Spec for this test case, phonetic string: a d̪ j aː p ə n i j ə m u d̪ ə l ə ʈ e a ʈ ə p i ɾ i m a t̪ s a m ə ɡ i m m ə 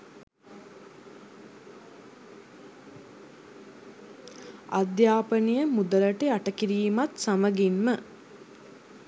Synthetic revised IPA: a d̪ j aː p ə n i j ə m u d̪ ə l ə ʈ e a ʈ ə k i ɾ iː m a t̪ s a m ə ɡ i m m ə

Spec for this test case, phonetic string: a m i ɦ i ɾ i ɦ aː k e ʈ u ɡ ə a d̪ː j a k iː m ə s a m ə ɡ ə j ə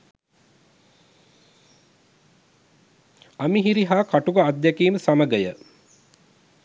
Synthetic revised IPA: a m i ɦ i ɾ i ɦ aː k a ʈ u ɡ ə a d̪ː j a k iː m ə s a m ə ɡ ə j ə

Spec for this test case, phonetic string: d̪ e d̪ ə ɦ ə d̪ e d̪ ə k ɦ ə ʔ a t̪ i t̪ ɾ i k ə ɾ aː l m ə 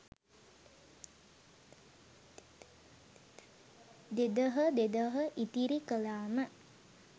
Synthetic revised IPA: d̪ e d̪ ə ɦ ə d̪ e d̪ ə ɦ ə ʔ i t̪ i ɾ i k ə l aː m ə

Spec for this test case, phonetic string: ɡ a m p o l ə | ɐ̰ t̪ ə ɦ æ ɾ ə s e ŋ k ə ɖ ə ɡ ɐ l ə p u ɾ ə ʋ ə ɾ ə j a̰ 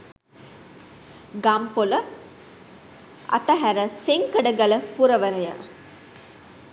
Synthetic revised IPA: ɡ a m p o l ə | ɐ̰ t̪ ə ɦ æ ɾ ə s e ŋ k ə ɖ ə ɡ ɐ l ə p u ɾ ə ʋ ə ɾ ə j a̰

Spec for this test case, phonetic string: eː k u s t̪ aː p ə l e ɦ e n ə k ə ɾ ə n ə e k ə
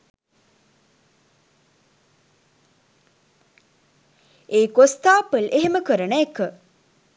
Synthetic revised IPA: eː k o s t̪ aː p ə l e ɦ e m ə k ə ɾ ə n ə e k ə

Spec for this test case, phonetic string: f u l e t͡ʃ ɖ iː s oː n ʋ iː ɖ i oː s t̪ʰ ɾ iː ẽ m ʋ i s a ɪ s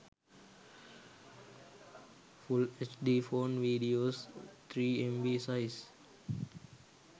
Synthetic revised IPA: f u l e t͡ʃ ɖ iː f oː n ʋ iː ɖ i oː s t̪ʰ ɾ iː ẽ m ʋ i s a ɪ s

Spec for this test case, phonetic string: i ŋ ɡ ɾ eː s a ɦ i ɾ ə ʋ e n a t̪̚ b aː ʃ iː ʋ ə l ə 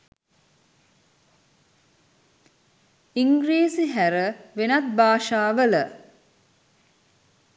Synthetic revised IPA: i ŋ ɡ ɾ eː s i ɦ æ ɾ ə ʋ e n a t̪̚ b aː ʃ aː ʋ ə l ə

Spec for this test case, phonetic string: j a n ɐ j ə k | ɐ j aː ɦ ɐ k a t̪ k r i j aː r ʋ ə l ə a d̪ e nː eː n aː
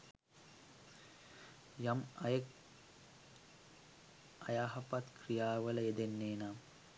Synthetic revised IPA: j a m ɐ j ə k | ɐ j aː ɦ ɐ p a t̪ k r i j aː ʋ ə l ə e d̪ e nː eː n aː

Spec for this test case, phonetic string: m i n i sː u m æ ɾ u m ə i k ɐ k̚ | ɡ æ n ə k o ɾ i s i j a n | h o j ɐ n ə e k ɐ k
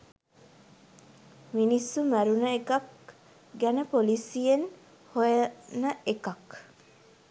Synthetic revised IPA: m i n i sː u m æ ɾ u n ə e k ɐ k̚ | ɡ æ n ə p o l i s i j e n | h o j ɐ n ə e k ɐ k

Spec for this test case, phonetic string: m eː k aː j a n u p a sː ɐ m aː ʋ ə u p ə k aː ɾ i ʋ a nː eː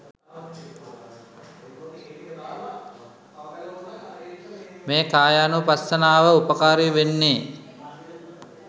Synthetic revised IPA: m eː k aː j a n u p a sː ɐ n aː ʋ ə u p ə k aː ɾ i ʋ e nː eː

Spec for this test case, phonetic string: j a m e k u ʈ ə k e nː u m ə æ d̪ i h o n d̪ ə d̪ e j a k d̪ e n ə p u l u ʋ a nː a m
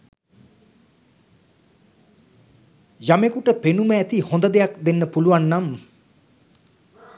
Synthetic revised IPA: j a m e k u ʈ ə p e n u m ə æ t̪ i h o n d̪ ə d̪ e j a k d̪ e nː ə p u l u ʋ a nː a m

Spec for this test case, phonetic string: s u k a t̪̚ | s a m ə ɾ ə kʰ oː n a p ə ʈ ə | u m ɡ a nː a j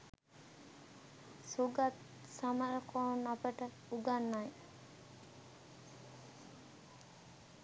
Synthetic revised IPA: s u ɡ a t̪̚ | s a m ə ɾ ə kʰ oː n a p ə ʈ ə | u ɡ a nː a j

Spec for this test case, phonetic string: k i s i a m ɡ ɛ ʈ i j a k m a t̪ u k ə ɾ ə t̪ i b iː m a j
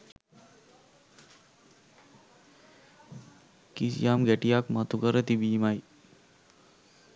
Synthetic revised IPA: k i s j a m ɡ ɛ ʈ i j a k m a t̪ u k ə ɾ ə t̪ i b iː m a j

